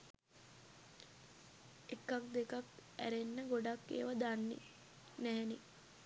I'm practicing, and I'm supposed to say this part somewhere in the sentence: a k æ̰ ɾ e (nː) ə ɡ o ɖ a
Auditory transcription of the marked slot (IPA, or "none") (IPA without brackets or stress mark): nː